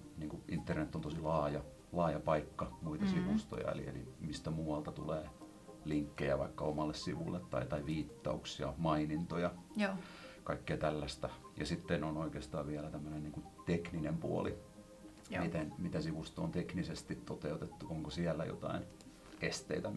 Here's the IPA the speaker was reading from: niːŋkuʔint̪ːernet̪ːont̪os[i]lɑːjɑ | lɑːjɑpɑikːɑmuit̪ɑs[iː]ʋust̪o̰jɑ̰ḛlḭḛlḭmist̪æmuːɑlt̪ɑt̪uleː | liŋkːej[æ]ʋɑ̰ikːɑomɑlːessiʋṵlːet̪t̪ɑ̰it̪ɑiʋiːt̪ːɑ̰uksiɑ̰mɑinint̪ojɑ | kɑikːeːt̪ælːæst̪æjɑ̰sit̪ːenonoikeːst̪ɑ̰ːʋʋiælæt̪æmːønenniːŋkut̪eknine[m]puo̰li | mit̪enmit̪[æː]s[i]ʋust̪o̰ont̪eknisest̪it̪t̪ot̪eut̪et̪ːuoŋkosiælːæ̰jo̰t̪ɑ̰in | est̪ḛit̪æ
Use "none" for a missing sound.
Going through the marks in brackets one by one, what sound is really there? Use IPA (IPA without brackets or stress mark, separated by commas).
i, i, æ, m, æ, i